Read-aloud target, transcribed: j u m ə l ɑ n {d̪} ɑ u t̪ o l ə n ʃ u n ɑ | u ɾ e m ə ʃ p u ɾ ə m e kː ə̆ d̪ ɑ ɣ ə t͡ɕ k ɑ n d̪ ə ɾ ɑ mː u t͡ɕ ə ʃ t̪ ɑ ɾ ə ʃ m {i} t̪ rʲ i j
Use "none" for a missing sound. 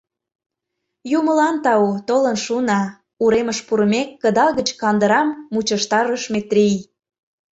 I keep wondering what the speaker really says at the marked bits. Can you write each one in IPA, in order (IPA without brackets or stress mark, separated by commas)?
t̪, e